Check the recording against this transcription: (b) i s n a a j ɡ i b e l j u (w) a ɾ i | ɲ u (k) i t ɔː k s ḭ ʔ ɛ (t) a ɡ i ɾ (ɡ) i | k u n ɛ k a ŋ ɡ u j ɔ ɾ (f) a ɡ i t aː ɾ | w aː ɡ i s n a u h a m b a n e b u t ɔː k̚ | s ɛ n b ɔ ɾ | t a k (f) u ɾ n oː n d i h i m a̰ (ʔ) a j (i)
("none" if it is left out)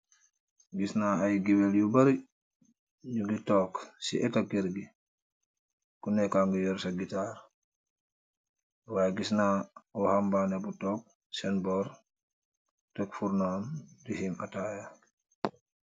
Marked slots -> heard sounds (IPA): ɡ, b, ɡ, t, ɡ, s, f, t, a

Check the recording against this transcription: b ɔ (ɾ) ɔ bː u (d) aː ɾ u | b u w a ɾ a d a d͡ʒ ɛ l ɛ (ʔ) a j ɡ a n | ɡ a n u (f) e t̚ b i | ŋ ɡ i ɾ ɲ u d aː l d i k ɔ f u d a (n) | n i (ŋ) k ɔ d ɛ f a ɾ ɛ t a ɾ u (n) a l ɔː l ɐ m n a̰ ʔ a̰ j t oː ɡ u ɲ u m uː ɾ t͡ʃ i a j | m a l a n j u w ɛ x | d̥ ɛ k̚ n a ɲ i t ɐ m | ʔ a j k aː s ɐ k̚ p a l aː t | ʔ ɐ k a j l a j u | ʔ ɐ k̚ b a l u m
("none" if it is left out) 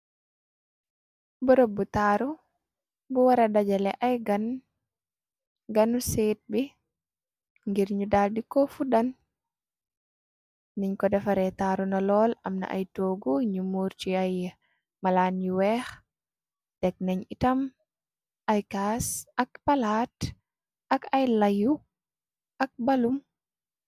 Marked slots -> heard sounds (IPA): ɾ, t, ʔ, s, n, ɲ, n

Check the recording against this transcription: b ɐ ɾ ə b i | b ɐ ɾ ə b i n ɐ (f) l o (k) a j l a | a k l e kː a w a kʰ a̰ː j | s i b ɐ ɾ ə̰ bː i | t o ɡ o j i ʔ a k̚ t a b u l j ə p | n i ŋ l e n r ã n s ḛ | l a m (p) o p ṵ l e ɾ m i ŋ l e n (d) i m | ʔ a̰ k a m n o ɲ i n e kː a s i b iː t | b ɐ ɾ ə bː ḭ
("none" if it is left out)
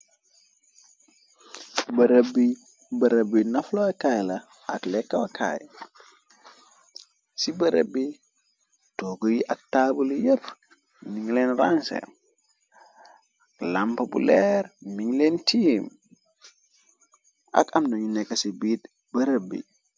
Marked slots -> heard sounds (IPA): f, k, p, t

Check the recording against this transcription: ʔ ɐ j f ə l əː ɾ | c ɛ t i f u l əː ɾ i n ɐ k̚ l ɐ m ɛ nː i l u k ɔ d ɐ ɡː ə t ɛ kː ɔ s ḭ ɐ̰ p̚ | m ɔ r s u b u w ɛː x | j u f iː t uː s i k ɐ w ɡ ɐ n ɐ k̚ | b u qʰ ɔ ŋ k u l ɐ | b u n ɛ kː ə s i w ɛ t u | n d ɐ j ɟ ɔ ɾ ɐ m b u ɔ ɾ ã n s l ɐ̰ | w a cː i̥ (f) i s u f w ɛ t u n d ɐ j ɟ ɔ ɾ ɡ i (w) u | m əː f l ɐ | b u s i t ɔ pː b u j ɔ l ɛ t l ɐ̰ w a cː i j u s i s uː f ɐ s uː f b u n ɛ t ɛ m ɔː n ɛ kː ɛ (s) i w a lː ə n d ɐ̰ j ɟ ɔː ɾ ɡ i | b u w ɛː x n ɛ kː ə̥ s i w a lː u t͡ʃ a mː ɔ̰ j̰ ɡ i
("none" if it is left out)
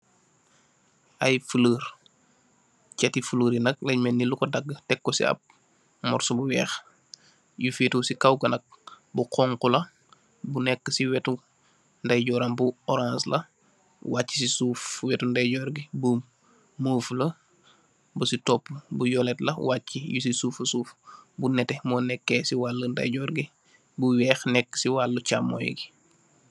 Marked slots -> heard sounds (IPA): s, b, s

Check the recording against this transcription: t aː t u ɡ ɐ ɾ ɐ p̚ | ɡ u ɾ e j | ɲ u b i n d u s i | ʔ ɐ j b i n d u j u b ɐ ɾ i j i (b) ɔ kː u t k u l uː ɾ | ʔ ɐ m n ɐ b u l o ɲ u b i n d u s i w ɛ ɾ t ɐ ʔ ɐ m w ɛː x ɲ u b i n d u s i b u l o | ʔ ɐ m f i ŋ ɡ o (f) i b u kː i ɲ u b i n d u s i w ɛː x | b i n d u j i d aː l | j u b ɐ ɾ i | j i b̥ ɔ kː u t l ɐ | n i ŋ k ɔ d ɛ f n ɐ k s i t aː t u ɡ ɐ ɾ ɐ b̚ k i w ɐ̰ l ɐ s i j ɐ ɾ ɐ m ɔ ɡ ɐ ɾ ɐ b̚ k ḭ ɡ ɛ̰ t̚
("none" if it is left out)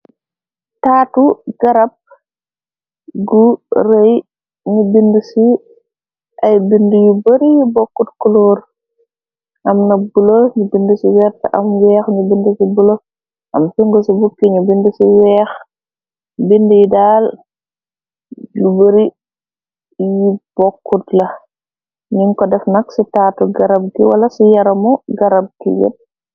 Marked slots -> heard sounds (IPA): b, s

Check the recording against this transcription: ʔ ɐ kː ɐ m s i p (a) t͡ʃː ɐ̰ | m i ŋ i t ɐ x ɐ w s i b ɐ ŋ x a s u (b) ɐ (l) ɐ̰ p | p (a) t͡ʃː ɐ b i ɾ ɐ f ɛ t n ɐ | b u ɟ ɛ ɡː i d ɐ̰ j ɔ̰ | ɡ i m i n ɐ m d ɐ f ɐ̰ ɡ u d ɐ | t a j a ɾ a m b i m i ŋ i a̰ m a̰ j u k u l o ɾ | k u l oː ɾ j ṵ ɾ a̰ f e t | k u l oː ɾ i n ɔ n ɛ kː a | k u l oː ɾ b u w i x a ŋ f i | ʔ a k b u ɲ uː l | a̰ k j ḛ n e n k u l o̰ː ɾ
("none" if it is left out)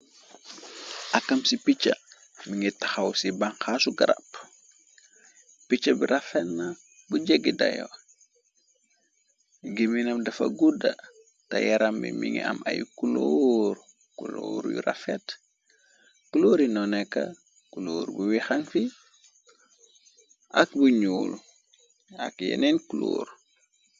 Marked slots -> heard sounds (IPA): i, ɡ, ɾ, i

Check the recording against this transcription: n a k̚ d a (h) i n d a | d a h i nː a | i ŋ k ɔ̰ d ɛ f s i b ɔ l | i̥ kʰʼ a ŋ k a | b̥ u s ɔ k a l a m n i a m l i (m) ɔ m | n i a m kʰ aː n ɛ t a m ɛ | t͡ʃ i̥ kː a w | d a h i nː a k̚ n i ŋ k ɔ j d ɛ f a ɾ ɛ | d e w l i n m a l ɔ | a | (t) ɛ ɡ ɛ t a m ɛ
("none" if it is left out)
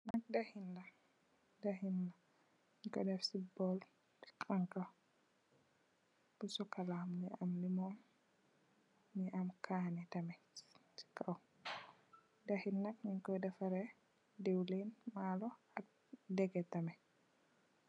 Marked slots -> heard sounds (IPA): h, m, d

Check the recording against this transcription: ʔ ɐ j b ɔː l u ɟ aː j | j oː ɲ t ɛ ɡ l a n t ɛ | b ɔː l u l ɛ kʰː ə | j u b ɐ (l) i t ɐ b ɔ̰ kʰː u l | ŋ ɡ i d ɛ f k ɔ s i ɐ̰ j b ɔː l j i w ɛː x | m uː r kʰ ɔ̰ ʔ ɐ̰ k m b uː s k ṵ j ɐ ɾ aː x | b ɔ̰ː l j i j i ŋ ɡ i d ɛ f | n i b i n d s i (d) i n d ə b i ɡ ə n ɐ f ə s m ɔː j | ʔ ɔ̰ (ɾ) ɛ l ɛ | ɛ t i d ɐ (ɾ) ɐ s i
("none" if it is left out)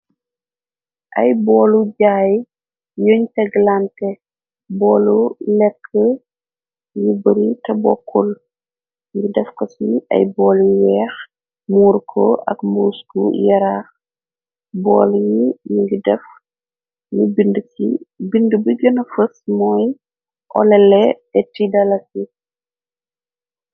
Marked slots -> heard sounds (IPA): ɾ, b, l, l

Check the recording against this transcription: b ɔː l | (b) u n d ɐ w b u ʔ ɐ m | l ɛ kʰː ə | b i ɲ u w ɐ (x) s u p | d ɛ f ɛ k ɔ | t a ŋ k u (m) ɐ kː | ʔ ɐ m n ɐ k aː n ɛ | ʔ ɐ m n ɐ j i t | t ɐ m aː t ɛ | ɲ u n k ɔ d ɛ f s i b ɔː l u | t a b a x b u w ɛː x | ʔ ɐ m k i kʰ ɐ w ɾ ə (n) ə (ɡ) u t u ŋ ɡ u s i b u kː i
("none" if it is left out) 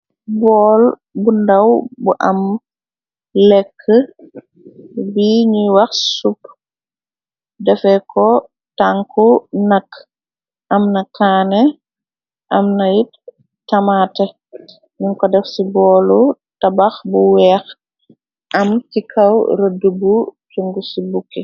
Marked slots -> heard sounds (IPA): b, x, n, d, b

